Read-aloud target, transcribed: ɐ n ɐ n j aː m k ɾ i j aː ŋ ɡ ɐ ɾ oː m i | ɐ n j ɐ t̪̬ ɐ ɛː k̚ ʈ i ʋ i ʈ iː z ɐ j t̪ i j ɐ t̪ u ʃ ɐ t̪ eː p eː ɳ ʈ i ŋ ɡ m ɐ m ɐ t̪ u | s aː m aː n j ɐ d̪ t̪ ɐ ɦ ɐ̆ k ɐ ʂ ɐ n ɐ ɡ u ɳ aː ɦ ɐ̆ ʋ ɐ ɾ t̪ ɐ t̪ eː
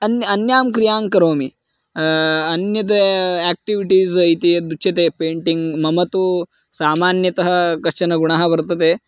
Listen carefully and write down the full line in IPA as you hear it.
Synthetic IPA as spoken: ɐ n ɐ n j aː m k ɾ i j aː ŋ k ɐ ɾ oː m i | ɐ n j ɐ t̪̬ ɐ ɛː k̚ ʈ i ʋ i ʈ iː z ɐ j t̪ i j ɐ d̪ u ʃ ɐ t̪ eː p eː ɳ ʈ i ŋ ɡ m ɐ m ɐ t̪ u | s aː m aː n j ɐ t̪ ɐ ɦ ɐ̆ k ɐ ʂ ɐ n ɐ ɡ u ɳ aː ɦ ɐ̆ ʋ ɐ ɾ t̪ ɐ t̪ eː